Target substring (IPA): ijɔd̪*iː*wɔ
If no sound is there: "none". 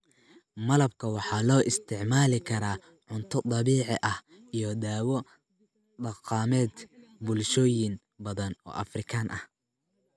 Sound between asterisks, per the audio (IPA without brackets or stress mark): aː